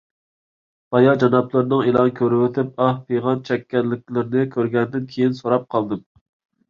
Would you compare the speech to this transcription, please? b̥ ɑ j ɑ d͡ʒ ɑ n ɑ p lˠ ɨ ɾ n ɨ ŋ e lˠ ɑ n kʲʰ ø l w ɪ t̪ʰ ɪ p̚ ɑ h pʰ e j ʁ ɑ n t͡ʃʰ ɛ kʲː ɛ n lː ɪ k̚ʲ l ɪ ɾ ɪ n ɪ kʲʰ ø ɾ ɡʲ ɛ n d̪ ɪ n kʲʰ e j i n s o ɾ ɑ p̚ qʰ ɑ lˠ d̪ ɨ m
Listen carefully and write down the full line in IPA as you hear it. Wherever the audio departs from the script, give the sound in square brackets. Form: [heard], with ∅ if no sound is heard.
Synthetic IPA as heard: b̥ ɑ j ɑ d͡ʒ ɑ n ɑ p lˠ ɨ ɾ n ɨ ŋ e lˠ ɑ n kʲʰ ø [ɾ] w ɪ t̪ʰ ɪ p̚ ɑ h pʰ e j ʁ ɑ n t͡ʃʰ ɛ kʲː ɛ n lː ɪ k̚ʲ l ɪ ɾ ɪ n ɪ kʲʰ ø ɾ ɡʲ ɛ n d̪ ɪ n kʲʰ e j i n s o ɾ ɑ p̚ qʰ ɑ lˠ d̪ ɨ m